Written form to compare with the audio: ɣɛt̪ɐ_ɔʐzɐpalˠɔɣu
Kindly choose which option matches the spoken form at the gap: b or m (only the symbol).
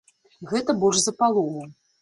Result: b